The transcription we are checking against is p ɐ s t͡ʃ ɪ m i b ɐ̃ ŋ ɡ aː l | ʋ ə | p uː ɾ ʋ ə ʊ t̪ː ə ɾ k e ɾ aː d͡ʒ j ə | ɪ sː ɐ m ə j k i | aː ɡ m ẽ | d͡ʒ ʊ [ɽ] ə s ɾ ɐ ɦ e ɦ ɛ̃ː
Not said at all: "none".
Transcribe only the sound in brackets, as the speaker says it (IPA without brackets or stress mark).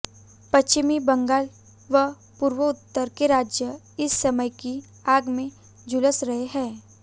l